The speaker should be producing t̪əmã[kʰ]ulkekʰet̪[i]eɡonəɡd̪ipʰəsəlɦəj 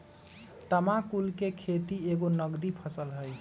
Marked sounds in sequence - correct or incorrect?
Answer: incorrect, correct

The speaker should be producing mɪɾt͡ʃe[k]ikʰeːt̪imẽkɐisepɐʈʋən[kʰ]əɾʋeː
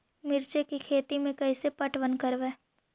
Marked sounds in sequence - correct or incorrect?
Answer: correct, incorrect

